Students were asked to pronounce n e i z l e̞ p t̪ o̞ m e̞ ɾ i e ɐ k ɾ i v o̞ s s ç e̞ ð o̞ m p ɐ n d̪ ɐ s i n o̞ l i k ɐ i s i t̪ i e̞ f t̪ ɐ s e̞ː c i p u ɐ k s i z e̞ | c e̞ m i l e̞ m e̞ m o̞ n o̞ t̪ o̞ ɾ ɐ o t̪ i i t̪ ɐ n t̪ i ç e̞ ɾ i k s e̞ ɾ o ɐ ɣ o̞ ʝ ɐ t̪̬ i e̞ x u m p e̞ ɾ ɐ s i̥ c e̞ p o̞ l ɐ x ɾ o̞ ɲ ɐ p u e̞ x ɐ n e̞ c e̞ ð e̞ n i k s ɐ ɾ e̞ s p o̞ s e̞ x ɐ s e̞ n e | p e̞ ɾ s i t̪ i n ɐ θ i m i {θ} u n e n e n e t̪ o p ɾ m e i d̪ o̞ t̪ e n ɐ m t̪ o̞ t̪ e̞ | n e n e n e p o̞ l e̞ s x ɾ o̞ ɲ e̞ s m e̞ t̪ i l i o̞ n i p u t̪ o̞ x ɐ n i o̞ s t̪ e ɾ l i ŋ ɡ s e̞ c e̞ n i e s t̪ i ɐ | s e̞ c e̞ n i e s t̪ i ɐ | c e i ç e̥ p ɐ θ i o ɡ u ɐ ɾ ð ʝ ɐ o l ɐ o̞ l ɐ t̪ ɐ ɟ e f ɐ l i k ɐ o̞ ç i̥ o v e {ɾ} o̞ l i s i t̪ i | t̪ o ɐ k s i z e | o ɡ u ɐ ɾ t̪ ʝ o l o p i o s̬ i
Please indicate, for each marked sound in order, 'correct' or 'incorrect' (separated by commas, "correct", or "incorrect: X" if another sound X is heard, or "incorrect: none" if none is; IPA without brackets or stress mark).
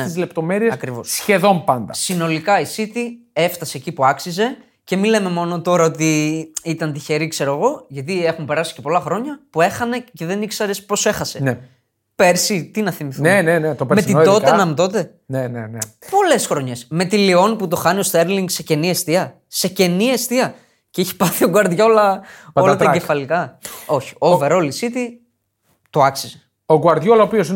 correct, correct